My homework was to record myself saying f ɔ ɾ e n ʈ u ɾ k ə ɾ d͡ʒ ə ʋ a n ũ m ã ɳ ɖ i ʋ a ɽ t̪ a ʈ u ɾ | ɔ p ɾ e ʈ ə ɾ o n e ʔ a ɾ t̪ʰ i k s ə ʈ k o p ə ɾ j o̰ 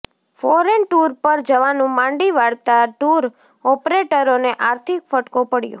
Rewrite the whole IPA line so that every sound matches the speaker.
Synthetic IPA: f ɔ ɾ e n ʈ u ɾ p ə ɾ d͡ʒ ə ʋ a n ũ m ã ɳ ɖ i ʋ a ɽ t̪ a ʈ u ɾ | ɔ p ɾ e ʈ ə ɾ o n e ʔ a ɾ t̪ʰ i k f ə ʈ k o p ə ɽ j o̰